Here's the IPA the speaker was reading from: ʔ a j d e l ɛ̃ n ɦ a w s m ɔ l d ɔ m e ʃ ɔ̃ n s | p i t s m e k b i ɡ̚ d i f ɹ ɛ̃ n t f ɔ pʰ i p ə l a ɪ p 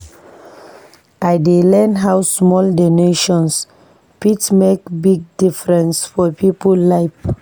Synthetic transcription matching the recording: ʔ a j d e l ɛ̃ n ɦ a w s m ɔ l d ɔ n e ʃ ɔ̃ n s | p i t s m e k b i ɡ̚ d i f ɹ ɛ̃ n s f ɔ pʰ i p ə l a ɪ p